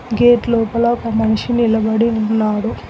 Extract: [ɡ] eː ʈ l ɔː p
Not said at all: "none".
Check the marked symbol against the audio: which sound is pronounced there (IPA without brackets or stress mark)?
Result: ɡ